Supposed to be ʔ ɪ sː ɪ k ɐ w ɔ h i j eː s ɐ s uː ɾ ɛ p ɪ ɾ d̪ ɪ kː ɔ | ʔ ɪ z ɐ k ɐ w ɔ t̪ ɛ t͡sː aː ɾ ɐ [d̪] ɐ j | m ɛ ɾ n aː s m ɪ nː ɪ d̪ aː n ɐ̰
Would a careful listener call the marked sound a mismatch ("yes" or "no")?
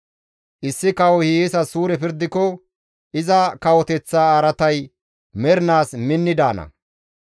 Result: yes